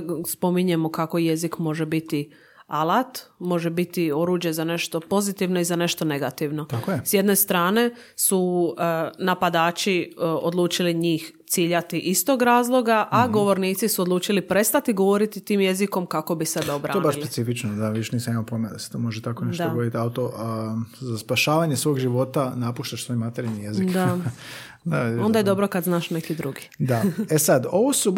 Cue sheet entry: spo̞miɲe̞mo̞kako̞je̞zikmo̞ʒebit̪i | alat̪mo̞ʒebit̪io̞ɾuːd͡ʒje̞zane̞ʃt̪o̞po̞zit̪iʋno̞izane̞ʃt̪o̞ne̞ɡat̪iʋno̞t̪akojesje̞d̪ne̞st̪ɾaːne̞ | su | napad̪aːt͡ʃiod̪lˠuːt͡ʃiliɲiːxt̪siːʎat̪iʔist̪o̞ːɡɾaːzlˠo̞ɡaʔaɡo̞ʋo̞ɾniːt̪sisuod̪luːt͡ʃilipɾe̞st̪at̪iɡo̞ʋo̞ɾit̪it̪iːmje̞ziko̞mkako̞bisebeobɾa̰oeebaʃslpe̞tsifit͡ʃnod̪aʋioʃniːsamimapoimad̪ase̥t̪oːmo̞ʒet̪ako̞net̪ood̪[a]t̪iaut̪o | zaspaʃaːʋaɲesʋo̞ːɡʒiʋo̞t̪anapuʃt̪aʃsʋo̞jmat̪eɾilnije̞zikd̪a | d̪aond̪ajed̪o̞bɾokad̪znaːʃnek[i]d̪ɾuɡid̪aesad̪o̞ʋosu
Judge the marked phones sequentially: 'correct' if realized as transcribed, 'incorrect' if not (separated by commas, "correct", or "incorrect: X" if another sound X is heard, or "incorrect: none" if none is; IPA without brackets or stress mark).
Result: incorrect: i, correct